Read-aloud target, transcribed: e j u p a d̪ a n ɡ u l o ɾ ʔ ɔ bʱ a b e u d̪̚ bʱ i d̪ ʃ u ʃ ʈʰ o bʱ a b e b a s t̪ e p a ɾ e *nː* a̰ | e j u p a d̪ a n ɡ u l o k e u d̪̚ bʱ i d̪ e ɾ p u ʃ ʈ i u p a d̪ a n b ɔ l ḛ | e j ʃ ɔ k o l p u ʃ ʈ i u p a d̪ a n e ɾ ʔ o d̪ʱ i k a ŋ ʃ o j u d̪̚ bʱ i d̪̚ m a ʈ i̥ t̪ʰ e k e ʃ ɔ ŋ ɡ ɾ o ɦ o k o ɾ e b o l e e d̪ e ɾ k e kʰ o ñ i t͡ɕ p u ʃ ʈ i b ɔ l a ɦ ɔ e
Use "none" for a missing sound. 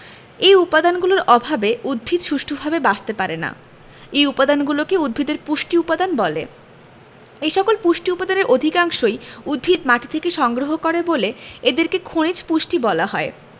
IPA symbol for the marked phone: n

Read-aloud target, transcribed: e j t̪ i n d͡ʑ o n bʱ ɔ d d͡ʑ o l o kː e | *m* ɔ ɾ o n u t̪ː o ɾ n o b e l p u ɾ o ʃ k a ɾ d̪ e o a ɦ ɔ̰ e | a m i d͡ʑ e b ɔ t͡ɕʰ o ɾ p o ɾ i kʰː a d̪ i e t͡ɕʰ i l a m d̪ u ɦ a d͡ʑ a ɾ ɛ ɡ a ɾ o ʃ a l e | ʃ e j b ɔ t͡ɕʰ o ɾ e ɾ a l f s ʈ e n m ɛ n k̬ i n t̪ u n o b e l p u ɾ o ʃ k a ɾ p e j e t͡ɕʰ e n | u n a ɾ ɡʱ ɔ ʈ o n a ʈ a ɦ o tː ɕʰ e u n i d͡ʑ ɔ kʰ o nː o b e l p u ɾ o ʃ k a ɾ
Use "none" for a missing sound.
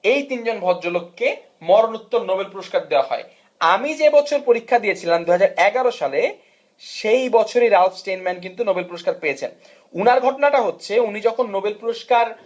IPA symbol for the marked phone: m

